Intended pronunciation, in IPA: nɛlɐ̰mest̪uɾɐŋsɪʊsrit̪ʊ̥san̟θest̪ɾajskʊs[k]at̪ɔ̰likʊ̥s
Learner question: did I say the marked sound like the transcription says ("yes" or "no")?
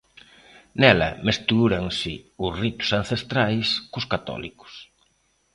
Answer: yes